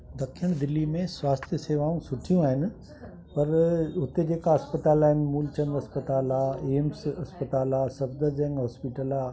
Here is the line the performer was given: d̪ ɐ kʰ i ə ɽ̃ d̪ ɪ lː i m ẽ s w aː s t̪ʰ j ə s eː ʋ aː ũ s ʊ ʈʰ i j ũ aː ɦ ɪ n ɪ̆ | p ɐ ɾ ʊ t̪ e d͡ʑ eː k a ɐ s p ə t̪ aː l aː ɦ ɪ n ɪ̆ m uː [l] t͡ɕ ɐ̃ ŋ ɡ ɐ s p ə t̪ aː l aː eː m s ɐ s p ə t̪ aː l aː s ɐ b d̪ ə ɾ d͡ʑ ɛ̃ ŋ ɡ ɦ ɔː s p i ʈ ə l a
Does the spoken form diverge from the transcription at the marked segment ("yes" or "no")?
no